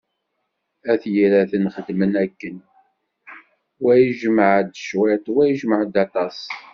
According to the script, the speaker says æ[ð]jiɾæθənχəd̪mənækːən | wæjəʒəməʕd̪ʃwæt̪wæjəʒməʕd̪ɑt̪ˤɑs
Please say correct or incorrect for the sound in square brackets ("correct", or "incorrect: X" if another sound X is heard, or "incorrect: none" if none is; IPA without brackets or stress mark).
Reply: incorrect: θ